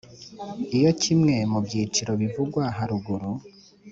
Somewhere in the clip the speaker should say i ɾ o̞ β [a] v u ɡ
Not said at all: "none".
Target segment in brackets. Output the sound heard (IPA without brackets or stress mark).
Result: i